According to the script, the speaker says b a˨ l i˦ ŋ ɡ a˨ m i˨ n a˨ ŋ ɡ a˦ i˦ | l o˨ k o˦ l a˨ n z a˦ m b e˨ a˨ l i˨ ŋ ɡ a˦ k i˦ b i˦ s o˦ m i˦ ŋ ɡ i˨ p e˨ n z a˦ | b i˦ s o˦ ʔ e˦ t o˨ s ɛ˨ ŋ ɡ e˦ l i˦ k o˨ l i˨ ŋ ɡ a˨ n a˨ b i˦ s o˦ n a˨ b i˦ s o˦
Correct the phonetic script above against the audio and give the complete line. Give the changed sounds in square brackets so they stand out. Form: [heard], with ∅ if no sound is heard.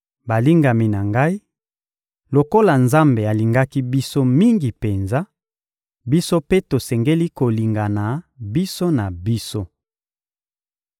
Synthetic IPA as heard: b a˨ l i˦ ŋ ɡ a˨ m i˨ n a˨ ŋ ɡ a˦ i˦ | l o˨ k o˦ l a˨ n z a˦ m b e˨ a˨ l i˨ ŋ ɡ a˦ k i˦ b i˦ s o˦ m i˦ ŋ ɡ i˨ p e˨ n z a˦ | b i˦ s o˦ [p] e˦ t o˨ s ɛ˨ ŋ ɡ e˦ l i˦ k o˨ l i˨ ŋ ɡ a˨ n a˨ b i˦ s o˦ n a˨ b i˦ s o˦